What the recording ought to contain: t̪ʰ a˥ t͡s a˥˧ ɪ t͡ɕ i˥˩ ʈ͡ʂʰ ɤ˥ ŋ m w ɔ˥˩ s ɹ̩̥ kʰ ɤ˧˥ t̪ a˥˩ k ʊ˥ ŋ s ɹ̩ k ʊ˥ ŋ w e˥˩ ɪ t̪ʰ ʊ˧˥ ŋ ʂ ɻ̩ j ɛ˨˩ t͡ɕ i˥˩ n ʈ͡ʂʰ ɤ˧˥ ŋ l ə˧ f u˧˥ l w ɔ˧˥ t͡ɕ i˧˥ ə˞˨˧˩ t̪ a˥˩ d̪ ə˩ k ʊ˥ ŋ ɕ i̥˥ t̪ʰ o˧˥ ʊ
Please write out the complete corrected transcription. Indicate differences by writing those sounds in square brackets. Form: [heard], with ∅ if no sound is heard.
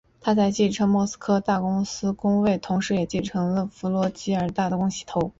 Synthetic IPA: t̪ʰ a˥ t͡s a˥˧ ɪ t͡ɕ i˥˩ ʈ͡ʂʰ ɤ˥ ŋ m w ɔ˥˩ s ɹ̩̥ kʰ [ɤ˥] t̪ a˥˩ k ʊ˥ ŋ s ɹ̩ k ʊ˥ ŋ w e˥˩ ɪ t̪ʰ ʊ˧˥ ŋ ʂ ɻ̩ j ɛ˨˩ t͡ɕ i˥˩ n ʈ͡ʂʰ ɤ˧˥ ŋ l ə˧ f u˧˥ l w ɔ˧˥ t͡ɕ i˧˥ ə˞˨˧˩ t̪ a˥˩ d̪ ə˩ k ʊ˥ ŋ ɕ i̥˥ t̪ʰ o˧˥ ʊ